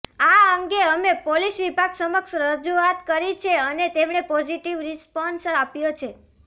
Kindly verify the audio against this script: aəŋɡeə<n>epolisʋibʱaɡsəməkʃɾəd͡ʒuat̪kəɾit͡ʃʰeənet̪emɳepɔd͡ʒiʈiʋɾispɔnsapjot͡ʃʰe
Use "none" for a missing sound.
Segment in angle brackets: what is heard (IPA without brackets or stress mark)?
m